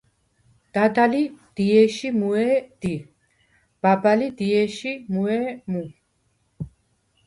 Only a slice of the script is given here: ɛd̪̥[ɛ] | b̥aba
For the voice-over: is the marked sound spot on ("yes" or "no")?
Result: no